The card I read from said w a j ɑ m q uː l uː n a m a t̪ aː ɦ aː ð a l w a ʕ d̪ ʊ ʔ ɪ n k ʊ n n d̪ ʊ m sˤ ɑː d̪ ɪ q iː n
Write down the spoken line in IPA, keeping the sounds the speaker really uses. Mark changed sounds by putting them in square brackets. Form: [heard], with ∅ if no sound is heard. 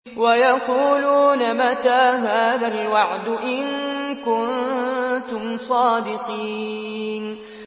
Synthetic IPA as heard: w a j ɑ [∅] q uː l uː n a m a t̪ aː ɦ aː ð a l w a ʕ d̪ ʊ ʔ ɪ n k ʊ n n [t̪] ʊ m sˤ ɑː d̪ ɪ q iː n

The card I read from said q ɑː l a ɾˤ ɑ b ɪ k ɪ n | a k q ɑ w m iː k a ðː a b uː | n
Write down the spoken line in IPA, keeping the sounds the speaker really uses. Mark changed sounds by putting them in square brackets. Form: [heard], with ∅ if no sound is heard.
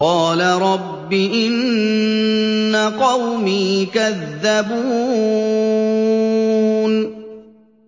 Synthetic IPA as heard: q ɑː l a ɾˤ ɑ [bː] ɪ [ʔ] ɪ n | a [∅] q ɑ w m iː k a ðː a b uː | n

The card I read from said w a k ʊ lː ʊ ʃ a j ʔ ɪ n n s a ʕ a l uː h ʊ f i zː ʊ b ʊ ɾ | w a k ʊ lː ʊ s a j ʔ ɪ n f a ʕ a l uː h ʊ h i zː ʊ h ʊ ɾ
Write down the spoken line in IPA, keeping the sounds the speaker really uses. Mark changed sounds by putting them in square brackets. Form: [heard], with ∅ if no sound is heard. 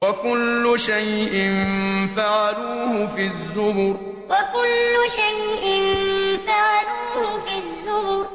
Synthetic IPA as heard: w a k ʊ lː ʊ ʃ a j ʔ ɪ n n [f] a ʕ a l uː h ʊ f i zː ʊ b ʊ ɾ | w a k ʊ lː ʊ [ʃ] a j ʔ ɪ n f a ʕ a l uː h ʊ [f] i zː ʊ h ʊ ɾ

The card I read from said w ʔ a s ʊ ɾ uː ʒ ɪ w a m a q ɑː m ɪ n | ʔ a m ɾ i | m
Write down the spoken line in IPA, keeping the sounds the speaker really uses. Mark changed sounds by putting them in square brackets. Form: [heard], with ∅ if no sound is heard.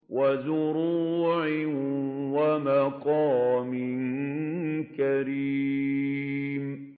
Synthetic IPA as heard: w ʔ a [z] ʊ ɾ uː [ʕ] ɪ w a m a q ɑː m ɪ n | [k] a [∅] ɾ i | m

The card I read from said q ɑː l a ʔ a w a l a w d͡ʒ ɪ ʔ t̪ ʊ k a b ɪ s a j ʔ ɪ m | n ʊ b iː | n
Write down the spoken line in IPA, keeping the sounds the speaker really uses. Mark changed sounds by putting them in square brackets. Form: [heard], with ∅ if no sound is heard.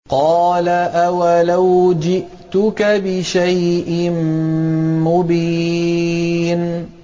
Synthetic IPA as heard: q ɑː l a ʔ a w a l a w d͡ʒ ɪ ʔ t̪ ʊ k a b ɪ [ʃ] a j ʔ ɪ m | [m] ʊ b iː | n

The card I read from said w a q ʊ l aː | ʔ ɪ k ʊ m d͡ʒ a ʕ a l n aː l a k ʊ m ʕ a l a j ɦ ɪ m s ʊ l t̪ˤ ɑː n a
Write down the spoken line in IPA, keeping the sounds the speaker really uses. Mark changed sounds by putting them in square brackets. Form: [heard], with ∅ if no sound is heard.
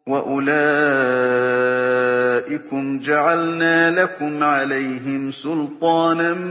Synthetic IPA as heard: w a [ʔ] ʊ l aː | ʔ ɪ k ʊ m d͡ʒ a ʕ a l n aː l a k ʊ m ʕ a l a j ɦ ɪ m s ʊ l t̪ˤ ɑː n a

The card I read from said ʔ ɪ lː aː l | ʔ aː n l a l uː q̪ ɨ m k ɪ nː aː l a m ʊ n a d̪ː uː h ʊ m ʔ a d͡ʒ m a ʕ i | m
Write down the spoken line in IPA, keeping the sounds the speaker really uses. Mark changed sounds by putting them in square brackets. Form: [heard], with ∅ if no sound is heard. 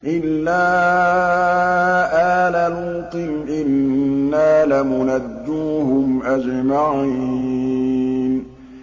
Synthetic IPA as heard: ʔ ɪ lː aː [∅] | ʔ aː [∅] l a l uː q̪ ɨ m [ʔ] ɪ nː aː l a m ʊ n a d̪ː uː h ʊ m ʔ a d͡ʒ m a ʕ i | [n]

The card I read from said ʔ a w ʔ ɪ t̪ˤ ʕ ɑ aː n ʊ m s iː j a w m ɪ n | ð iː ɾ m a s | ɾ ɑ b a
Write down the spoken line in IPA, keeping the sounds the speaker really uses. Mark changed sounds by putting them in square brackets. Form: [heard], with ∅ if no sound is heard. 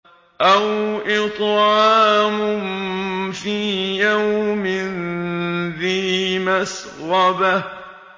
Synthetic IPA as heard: ʔ a w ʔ ɪ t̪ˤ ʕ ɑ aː [m] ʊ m [f] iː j a w m ɪ n | ð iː [∅] m a s | ɾ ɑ b a

